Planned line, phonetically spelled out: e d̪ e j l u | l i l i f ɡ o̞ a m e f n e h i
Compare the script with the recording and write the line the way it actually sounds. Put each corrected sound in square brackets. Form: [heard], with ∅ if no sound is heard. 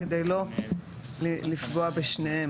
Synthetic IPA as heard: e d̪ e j l [o] | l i l i f ɡ o̞ a [b] e [ʃ] n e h [e]